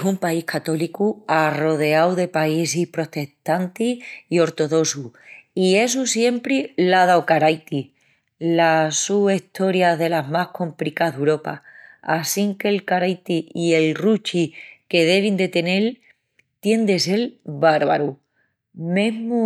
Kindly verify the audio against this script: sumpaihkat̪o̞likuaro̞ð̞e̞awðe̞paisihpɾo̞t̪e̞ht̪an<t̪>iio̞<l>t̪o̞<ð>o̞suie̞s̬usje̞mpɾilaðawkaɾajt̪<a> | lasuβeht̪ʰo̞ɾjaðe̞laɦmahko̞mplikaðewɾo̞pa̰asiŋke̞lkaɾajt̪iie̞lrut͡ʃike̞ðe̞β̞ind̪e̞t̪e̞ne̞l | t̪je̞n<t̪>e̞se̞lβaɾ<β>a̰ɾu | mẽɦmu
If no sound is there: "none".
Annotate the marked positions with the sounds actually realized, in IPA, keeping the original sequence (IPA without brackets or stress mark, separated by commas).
t̪, ɾ, ð, i, d̪, β